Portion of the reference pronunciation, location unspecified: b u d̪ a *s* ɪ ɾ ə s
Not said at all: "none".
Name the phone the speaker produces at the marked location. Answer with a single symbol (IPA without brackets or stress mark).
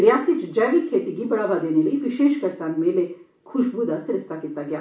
s